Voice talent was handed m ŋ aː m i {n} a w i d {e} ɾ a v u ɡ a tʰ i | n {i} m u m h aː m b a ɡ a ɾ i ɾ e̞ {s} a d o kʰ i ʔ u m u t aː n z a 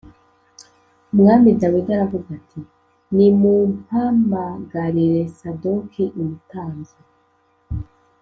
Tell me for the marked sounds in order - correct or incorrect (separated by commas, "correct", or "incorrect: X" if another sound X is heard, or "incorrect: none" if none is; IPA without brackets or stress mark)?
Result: incorrect: d, incorrect: a, correct, correct